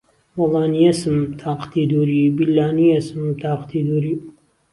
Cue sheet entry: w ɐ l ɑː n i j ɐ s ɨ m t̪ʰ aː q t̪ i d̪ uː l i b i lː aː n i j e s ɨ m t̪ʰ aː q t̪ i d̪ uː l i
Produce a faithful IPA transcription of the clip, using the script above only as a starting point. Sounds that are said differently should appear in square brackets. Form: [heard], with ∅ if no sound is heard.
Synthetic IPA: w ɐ l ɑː n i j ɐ s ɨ m t̪ʰ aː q t̪ i d̪ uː [ɾ] i b i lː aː n i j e s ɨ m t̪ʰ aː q t̪ i d̪ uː [ɾ] i